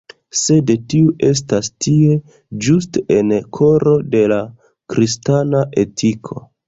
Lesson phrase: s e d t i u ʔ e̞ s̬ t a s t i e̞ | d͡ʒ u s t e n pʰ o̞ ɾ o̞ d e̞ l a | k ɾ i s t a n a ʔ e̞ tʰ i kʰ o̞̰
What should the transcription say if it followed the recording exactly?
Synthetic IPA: s e d t i u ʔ e̞ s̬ t a s t i e̞ | d͡ʒ u s t e n kʰ o̞ ɾ o̞ d e̞ l a | k ɾ i s t a n a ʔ e̞ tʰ i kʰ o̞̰